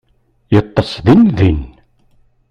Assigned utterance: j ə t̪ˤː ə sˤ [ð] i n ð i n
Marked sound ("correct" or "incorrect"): correct